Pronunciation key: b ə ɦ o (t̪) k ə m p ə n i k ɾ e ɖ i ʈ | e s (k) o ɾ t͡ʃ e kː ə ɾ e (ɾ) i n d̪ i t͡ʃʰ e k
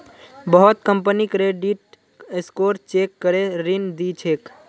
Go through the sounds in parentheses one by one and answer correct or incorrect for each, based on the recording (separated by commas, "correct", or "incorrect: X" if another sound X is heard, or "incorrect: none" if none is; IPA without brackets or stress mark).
correct, correct, correct